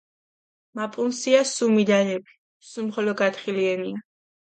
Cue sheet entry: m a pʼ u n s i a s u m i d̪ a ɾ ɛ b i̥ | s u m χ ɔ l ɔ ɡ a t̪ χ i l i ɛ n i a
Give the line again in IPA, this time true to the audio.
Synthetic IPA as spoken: m a pʼ u n s i a s u m i d̪ a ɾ ɛ b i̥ | s u m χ ɔ l ɔ ɡ a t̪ χ i l i ɛ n i a